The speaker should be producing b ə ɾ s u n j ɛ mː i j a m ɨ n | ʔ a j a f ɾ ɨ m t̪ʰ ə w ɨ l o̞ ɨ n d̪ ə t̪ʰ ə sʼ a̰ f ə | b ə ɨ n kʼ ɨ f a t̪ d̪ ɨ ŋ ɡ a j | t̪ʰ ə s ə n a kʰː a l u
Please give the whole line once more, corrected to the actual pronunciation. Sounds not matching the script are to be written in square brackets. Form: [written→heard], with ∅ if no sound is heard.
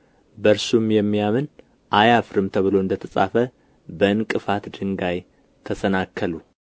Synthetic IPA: b ə ɾ s u [n→m] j ɛ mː i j a m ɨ n | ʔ a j a f ɾ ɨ m t̪ʰ ə [w→β] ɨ l o̞ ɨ n d̪ ə t̪ʰ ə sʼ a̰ f ə | b ə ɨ n kʼ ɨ f a t̪ d̪ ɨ ŋ ɡ a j | t̪ʰ ə s ə n a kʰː [a→ə] l u